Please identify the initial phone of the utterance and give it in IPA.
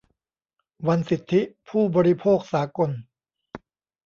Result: w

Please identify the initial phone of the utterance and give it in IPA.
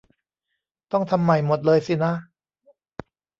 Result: t̪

